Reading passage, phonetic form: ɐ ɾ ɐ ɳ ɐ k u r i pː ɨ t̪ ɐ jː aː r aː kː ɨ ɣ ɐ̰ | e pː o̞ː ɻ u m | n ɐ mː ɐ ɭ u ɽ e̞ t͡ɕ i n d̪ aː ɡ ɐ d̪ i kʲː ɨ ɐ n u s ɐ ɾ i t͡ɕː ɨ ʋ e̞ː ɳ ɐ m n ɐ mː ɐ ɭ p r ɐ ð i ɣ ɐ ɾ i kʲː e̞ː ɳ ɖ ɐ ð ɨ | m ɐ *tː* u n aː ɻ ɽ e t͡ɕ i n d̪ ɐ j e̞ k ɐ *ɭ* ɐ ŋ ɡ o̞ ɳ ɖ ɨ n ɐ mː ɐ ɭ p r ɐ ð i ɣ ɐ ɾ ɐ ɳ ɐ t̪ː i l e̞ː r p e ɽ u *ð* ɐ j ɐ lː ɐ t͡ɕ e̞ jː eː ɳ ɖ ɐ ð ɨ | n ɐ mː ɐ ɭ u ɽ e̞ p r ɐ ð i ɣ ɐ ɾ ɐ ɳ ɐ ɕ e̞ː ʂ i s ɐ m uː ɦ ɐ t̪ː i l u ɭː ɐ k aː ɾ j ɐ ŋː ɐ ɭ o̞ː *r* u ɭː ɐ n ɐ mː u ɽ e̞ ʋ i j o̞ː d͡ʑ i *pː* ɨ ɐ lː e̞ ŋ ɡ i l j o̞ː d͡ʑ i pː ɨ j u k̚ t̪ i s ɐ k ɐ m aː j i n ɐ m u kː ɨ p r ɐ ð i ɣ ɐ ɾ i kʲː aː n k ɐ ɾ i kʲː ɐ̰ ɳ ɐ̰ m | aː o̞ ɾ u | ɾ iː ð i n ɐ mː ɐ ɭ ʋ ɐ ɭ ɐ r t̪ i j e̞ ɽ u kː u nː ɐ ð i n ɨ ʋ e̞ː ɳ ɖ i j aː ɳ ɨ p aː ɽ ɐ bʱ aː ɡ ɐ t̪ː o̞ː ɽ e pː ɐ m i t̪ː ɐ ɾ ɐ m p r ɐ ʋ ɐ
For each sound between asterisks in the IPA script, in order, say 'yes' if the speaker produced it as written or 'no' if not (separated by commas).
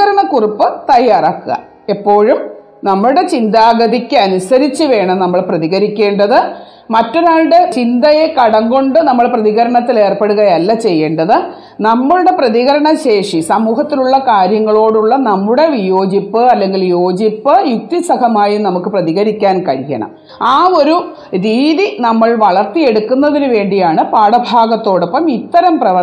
yes, no, no, no, yes